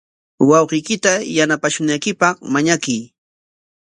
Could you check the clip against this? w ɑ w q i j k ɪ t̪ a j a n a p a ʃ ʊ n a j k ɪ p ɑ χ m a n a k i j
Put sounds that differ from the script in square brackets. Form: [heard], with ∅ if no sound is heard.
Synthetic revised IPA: w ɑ w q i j k ɪ t̪ a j a n a p a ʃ ʊ n a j k ɪ p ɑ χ m a [ɲ] a k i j